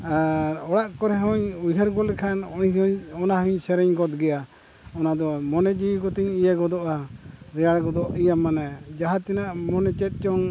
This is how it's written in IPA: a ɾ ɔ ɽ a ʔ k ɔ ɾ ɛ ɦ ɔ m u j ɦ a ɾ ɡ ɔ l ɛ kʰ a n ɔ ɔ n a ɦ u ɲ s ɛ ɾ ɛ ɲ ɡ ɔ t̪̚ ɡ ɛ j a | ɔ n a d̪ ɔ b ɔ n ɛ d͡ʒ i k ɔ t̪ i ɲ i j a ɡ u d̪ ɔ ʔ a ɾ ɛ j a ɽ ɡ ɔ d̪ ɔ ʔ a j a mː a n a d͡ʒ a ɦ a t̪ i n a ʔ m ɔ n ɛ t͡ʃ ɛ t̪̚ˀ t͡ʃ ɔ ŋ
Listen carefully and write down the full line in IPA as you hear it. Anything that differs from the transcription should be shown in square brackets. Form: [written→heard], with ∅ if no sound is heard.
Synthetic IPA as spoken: a ɾ ɔ ɽ a ʔ k ɔ ɾ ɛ ɦ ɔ [m→ɲ] u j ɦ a ɾ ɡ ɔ l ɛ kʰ a n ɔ ɔ n a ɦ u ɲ s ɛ ɾ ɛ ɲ ɡ ɔ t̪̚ ɡ ɛ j a | ɔ n a d̪ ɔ [b→m] ɔ n ɛ d͡ʒ i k ɔ t̪ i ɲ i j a ɡ [u→ɔ] d̪ ɔ ʔ a ɾ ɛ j a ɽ ɡ ɔ d̪ ɔ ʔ [a→i] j a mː a n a d͡ʒ a ɦ a t̪ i n a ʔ m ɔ n ɛ t͡ʃ ɛ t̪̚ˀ t͡ʃ ɔ ŋ